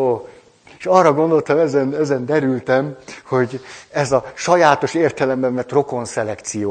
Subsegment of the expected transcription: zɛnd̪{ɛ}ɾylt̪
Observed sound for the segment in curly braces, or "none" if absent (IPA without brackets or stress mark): ɛ